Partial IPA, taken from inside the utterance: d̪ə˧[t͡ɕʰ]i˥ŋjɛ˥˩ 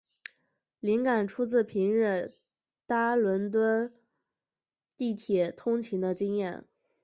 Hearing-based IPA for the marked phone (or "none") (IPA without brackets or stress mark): t͡ɕ